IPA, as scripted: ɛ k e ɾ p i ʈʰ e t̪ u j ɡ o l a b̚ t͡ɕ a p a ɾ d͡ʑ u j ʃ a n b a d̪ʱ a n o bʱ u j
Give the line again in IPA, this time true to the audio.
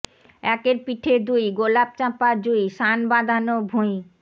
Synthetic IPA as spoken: ɛ k e ɾ p i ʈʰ e d̪ u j ɡ o l a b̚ t͡ɕ a p a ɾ d͡ʑ u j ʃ a n b a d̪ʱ a n o bʱ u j

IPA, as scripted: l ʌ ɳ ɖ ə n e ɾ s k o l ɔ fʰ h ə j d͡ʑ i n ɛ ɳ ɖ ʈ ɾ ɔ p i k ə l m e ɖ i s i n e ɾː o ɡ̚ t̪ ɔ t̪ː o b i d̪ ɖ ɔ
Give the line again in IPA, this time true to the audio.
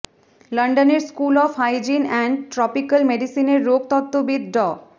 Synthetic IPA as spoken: l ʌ ɳ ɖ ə n e ɾ s k u l ɔ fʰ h a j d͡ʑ i n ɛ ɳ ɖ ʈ ɾ ɔ p i k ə l m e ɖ i s i n e ɾː o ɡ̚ t̪ ɔ t̪ː o b i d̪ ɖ ɔ

